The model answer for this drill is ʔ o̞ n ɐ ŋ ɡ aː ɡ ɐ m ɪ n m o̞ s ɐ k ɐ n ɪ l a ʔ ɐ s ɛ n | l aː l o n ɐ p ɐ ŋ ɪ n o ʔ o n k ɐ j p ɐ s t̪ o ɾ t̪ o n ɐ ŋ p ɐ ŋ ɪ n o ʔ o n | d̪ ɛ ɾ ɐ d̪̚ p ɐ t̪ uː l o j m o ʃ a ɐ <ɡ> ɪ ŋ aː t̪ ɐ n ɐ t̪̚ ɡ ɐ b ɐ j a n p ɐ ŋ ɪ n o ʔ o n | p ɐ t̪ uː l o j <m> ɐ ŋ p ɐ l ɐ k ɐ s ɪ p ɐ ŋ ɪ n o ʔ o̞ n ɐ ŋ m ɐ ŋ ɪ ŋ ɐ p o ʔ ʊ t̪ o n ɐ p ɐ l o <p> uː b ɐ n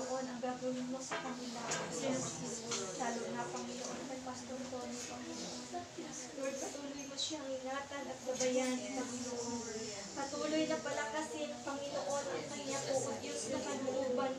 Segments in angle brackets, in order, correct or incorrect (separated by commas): incorrect, incorrect, incorrect